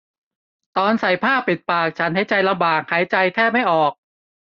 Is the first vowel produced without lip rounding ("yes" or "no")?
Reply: no